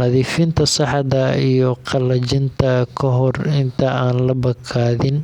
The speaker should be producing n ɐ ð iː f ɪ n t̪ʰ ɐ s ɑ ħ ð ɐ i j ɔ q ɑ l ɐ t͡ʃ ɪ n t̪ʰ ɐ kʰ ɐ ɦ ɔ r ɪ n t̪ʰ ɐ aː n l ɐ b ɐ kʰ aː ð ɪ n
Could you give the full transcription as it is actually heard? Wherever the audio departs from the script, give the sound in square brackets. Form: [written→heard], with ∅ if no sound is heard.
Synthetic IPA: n ɐ ð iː f ɪ n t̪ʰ ɐ s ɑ ħ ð ɐ i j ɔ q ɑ l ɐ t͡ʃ ɪ n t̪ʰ ɐ kʰ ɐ ɦ ɔ r ɪ n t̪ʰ ɐ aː n l ɐ b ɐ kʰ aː ð ɪ n